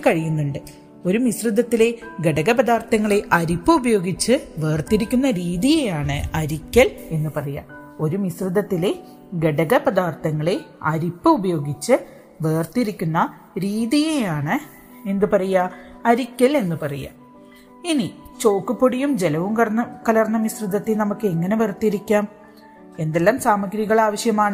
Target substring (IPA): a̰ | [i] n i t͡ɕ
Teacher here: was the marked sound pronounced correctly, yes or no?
yes